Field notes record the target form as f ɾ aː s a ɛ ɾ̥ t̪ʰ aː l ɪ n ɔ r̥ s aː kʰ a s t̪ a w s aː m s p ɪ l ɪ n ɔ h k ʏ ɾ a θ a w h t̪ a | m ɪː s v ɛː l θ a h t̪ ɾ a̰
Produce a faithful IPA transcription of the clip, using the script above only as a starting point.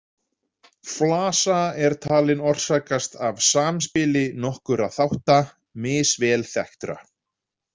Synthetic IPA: f l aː s a ɛ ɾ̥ t̪ʰ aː l ɪ n ɔ r̥ s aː k a s t̪ a v s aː m s p ɪ l ɪ n ɔ h k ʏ ɾ a θ a w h t̪ a | m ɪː s v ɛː l θ ɛ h t̪ ɾ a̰